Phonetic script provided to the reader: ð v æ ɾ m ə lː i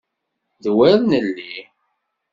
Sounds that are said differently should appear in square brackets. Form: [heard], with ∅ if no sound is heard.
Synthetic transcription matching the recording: ð [w] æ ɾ [n] ə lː i